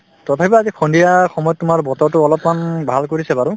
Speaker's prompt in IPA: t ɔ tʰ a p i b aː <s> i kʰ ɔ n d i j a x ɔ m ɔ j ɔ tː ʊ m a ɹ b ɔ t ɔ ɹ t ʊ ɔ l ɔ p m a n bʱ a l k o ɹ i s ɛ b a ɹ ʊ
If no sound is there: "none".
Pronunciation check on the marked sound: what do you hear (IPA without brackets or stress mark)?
z